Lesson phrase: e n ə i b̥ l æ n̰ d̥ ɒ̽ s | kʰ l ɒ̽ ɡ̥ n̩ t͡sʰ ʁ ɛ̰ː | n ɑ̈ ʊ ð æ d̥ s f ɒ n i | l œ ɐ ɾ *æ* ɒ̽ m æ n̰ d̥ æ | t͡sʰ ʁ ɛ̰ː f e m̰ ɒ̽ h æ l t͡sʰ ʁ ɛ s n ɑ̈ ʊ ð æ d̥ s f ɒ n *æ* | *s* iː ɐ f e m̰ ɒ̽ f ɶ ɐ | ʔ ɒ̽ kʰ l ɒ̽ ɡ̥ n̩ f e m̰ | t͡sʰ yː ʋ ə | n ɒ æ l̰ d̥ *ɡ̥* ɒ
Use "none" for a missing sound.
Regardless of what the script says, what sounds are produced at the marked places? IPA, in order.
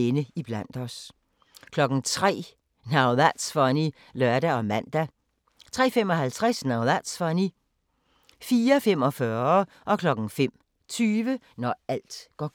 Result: æ, i, f, ɡ̥

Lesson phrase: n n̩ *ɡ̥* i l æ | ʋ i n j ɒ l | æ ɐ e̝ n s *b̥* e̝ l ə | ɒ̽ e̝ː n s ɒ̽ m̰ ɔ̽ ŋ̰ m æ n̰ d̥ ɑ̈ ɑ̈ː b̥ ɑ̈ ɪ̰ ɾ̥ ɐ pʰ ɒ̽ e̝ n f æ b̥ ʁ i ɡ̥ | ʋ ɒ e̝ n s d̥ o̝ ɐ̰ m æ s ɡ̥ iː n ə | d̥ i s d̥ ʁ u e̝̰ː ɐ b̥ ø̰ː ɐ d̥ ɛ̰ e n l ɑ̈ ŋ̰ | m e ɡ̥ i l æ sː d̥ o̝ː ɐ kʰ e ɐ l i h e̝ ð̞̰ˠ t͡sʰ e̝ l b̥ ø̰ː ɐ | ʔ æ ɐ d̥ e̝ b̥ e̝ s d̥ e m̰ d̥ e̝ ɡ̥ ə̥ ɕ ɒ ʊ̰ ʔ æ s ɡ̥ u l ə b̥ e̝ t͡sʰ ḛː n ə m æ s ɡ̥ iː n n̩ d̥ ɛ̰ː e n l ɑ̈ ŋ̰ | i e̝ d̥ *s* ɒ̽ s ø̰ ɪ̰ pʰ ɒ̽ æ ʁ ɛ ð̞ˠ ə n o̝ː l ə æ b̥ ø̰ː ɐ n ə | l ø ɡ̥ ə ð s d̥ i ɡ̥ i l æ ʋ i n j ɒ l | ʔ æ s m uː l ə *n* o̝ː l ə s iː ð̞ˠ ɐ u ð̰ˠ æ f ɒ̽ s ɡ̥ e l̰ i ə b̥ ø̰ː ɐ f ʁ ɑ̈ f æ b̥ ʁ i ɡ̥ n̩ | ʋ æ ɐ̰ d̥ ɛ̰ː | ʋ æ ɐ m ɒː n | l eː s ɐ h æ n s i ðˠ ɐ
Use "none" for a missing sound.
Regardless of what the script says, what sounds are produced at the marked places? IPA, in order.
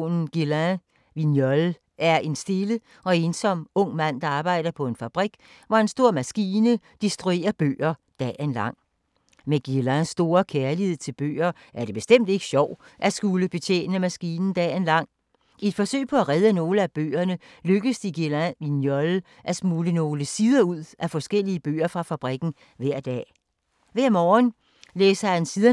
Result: ɡ̥, d̥, f, n

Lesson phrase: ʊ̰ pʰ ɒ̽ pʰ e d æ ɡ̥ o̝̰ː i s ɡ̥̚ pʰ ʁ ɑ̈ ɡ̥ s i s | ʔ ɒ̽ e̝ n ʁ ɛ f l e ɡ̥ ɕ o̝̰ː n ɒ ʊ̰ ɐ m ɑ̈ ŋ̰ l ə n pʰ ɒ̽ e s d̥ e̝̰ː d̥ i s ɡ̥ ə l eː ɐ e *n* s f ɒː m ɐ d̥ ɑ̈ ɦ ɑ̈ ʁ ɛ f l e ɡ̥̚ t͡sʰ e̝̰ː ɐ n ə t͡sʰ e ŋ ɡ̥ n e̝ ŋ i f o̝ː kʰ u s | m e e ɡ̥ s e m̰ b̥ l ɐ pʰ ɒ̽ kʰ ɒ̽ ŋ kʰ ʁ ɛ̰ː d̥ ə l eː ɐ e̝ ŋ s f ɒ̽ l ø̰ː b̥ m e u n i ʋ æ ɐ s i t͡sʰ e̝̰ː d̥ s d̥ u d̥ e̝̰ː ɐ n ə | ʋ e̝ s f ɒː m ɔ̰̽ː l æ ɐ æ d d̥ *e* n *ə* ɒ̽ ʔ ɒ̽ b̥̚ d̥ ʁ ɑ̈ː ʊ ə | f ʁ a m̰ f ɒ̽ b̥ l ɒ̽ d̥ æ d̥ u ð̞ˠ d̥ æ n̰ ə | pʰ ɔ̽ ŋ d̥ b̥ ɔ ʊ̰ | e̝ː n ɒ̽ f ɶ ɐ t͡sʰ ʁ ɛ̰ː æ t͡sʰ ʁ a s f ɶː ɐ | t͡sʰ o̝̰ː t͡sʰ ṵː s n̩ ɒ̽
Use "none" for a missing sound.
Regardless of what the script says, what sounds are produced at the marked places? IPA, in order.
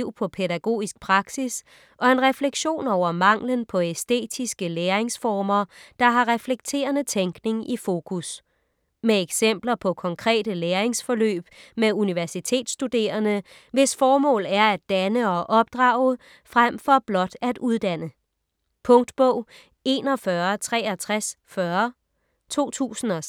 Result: ŋ, æ, ə

